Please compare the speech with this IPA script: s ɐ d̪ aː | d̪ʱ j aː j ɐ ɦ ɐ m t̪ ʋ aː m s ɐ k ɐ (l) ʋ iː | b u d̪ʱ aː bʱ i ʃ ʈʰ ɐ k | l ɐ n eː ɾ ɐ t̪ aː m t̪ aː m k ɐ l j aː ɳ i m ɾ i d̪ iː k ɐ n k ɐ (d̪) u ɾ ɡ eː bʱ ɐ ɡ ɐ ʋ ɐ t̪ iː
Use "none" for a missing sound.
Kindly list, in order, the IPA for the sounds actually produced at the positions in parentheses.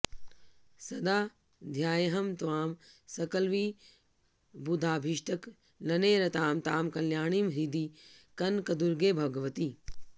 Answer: l, d̪

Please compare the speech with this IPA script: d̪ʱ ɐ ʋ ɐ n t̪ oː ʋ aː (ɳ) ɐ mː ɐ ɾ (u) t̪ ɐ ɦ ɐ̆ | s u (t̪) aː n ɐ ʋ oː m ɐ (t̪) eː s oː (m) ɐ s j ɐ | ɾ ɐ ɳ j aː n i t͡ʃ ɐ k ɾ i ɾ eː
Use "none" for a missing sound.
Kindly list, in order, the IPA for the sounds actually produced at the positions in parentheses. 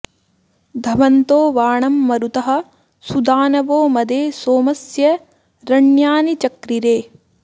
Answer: ɳ, u, d̪, d̪, m

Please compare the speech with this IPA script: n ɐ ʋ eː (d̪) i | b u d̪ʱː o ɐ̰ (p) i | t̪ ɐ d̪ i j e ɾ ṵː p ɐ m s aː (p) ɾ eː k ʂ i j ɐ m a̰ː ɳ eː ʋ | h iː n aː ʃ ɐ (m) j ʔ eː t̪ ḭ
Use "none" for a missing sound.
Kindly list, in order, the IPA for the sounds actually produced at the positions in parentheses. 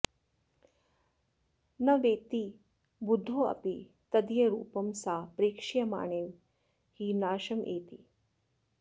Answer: t̪, p, p, m

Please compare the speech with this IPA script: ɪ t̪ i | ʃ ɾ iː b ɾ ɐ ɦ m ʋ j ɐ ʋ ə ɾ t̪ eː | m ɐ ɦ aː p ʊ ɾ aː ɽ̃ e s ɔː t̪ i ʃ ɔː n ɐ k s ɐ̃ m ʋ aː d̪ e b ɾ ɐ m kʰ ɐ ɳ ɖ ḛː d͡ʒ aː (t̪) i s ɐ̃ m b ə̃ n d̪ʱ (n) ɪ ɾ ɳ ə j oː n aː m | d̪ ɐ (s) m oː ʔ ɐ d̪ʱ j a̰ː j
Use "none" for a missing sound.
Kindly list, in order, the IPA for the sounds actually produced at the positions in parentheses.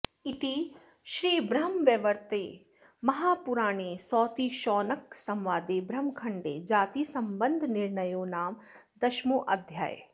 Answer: t̪, n, ʃ

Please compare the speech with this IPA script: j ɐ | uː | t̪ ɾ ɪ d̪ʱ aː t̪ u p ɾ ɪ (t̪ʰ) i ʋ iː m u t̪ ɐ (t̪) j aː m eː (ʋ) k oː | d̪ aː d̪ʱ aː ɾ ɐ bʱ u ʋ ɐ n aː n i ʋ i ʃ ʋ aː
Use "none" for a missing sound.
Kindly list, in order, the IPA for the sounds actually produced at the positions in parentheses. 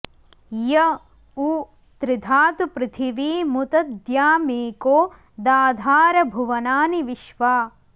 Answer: t̪ʰ, d̪, none

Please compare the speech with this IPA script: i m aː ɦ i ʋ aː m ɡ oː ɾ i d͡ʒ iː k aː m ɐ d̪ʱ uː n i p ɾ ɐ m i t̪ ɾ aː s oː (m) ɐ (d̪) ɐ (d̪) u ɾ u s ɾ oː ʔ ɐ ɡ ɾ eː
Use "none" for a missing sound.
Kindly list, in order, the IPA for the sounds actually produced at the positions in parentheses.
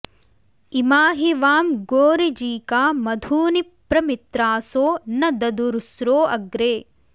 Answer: n, d̪, d̪

